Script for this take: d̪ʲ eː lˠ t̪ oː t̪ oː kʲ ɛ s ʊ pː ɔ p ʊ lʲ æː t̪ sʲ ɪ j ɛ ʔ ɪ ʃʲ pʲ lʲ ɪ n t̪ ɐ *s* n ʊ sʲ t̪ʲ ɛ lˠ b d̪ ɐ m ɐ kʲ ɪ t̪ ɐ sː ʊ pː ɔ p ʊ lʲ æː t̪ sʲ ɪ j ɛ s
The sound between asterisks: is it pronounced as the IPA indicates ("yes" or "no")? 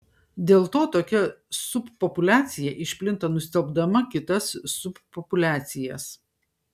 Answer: no